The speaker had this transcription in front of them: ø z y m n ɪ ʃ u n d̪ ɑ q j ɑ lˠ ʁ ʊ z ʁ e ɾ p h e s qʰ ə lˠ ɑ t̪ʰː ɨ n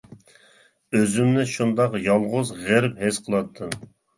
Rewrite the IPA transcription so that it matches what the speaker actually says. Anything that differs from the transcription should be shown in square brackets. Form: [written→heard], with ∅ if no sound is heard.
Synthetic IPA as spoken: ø z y m n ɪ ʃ u n d̪ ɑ q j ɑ lˠ ʁ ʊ z ʁ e ɾ p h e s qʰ ə lˠ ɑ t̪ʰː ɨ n